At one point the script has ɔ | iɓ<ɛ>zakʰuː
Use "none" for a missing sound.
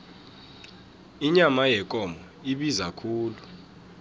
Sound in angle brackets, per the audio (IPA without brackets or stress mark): i